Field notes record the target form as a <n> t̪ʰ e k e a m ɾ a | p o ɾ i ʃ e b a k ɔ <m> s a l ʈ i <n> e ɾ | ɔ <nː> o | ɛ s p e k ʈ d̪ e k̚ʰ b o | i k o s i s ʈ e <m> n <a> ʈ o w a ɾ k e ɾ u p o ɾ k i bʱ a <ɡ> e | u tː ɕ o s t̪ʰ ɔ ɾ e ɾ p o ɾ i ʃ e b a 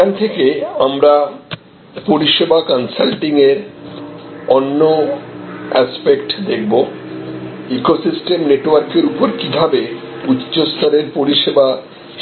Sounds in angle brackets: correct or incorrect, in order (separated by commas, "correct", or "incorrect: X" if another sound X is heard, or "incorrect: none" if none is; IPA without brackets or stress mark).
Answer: correct, incorrect: n, incorrect: ŋ, correct, correct, incorrect: e, incorrect: b